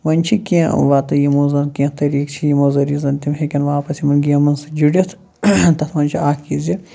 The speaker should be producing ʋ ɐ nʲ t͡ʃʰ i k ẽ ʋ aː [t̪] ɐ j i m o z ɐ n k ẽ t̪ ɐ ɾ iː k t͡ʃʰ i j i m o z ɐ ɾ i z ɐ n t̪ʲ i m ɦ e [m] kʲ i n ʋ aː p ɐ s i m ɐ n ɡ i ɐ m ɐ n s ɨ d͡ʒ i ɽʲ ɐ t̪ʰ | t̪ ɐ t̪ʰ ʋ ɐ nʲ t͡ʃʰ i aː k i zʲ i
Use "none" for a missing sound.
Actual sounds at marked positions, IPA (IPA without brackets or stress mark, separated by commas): t̪, none